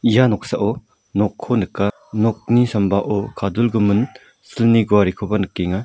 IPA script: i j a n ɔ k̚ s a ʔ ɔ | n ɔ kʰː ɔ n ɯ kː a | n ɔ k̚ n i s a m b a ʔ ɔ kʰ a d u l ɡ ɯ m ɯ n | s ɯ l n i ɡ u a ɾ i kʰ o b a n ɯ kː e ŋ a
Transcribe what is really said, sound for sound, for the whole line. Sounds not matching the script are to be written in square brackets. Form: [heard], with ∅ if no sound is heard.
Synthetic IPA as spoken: i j a n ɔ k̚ s a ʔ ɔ | n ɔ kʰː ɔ n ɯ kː a | n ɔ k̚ n i s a m b a ʔ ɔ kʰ a d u l ɡ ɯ m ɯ n | s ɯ l n i ɡ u a ɾ i kʰ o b a n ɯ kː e ŋ a